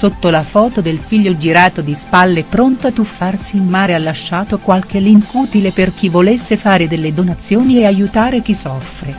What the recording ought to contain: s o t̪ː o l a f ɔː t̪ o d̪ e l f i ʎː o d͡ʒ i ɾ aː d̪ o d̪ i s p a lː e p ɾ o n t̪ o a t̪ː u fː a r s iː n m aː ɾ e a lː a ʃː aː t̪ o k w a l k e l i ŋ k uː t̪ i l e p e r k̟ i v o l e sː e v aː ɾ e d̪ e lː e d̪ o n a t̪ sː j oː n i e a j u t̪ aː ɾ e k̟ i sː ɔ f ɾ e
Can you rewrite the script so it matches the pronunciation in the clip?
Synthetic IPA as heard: s o t̪ː o l a f ɔː t̪ o d̪ e l f i ʎː o d͡ʒ i ɾ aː t̪ o d̪ i s p a lː e p ɾ o n t̪ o a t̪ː u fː a r s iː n m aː ɾ e a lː a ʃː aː t̪ o k w a l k e l i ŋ k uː t̪ i l e p e r k̟ i v o l e sː e f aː ɾ e d̪ e lː e d̪ o n a t̪ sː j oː n i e a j u t̪ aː ɾ e k̟ i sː ɔ f ɾ e